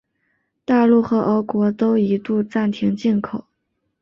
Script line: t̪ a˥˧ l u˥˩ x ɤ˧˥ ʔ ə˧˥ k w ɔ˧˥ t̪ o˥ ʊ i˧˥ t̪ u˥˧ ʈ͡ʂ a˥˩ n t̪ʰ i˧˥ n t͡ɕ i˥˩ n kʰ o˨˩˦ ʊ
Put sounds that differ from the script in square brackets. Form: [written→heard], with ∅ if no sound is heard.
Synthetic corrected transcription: t̪ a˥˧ l u˥˩ x ɤ˧˥ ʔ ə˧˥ k w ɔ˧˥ t̪ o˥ ʊ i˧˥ t̪ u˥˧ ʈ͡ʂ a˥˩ n t̪ʰ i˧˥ [n→ŋ] t͡ɕ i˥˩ n kʰ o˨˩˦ ʊ